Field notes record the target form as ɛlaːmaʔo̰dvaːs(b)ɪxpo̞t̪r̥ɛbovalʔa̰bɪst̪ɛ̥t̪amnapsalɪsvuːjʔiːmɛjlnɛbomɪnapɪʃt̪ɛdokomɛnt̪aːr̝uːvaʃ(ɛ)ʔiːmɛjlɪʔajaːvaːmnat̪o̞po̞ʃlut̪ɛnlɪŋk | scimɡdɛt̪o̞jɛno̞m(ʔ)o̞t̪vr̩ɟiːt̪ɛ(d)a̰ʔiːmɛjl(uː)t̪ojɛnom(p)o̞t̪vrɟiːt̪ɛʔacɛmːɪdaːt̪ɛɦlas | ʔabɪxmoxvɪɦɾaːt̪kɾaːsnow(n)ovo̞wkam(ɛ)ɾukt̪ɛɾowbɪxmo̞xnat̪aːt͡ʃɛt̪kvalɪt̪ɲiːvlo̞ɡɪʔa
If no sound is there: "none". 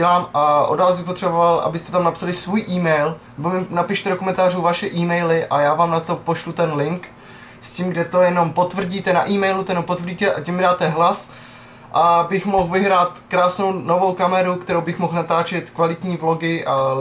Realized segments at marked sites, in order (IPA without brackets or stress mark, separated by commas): b, ɛ, p, n, u, p, n, ɛ